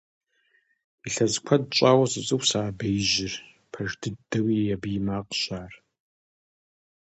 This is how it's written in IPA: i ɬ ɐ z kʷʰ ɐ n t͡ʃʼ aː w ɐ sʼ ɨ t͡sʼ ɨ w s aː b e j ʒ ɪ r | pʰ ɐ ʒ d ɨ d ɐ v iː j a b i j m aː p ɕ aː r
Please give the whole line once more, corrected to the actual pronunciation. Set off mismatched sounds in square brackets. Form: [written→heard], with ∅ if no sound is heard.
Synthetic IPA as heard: i ɬ ɐ z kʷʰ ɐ [n→d] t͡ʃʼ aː w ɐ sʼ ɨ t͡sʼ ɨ w s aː b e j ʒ ɪ r | pʰ ɐ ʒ d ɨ d ɐ [v→w] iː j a b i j m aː [p→q] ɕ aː r